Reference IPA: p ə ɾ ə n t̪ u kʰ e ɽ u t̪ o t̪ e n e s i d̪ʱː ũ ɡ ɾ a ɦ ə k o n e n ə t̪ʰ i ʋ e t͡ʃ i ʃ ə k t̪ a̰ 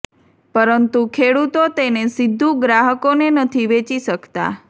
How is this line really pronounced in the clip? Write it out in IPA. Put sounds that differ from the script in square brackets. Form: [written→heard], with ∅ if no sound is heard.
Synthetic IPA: p ə ɾ ə n t̪ u kʰ e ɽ u t̪ o t̪ e n e s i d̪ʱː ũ ɡ ɾ a ɦ ə k o n e n ə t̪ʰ i ʋ e t͡ʃ i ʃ ə k t̪ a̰